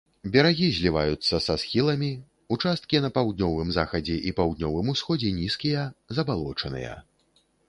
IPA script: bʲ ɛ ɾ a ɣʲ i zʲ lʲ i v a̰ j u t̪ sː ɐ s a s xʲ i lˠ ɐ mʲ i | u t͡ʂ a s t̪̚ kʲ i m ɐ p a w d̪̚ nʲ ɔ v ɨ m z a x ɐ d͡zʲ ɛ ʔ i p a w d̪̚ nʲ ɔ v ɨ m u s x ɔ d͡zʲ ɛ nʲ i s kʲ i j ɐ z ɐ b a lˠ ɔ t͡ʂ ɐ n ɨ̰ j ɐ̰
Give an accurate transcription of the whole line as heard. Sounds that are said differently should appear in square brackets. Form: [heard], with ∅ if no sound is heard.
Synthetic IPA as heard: bʲ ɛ ɾ a ɣʲ i zʲ lʲ i v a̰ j u t̪ sː ɐ s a s xʲ i lˠ ɐ mʲ i | u t͡ʂ a s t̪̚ kʲ i [n] ɐ p a w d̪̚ nʲ ɔ v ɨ m z a x ɐ d͡zʲ ɛ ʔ i p a w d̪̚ nʲ ɔ v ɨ m u s x ɔ d͡zʲ ɛ nʲ i s kʲ i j ɐ z ɐ b a lˠ ɔ t͡ʂ ɐ n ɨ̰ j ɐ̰